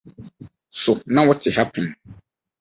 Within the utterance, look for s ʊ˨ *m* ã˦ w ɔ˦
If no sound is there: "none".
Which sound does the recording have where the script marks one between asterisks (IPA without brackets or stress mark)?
n